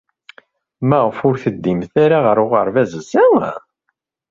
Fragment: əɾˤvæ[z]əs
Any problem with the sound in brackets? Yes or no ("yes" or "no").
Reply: no